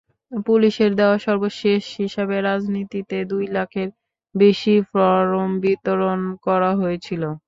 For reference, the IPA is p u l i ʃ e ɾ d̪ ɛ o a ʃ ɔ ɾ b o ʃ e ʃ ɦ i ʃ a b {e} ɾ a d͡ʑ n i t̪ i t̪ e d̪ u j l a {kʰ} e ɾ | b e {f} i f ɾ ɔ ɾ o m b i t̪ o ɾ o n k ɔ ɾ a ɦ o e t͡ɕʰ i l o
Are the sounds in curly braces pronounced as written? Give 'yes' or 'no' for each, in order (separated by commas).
yes, yes, no